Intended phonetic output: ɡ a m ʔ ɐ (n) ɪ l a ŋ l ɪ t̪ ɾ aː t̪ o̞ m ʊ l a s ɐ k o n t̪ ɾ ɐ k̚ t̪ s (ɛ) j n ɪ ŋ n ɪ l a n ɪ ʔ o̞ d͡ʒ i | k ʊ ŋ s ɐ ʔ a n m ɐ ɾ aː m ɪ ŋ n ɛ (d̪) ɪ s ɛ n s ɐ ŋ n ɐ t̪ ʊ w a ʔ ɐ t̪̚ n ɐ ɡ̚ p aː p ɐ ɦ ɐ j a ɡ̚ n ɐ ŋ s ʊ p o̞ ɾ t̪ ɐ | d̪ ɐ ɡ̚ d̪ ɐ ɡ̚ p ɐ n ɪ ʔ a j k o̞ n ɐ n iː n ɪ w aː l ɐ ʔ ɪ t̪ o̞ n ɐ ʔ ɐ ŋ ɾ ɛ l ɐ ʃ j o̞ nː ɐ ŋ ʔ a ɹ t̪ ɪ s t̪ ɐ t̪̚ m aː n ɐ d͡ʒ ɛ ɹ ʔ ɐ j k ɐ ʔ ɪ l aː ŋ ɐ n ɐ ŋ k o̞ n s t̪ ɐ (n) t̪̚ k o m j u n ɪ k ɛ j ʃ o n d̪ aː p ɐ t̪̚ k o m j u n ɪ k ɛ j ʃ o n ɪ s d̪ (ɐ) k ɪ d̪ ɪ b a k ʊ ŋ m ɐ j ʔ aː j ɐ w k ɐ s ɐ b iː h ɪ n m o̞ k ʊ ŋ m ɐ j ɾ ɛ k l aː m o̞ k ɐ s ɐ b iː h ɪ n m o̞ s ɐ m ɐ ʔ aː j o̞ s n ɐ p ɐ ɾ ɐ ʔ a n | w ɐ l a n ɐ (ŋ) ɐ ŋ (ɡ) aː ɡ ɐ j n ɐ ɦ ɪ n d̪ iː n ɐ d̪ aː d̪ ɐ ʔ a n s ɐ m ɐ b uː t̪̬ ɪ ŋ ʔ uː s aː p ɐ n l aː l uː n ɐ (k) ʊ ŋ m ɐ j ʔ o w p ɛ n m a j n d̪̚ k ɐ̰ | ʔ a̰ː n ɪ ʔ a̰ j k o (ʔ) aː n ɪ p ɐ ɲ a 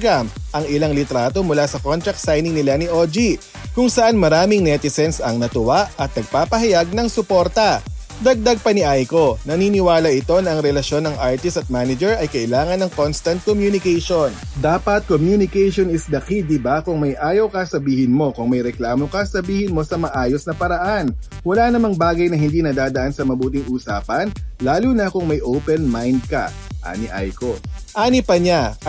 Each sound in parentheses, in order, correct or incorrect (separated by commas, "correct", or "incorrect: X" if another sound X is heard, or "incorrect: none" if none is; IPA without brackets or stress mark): incorrect: ŋ, incorrect: a, incorrect: t̪, correct, correct, incorrect: m, incorrect: b, correct, correct